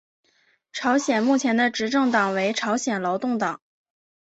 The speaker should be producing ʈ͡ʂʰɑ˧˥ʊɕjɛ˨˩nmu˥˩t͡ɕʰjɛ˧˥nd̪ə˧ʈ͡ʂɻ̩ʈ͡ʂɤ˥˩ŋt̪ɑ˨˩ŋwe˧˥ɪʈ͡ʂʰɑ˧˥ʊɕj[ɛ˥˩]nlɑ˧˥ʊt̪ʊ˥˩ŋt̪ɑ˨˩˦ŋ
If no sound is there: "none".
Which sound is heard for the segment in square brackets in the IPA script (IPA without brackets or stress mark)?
ɛ˨˩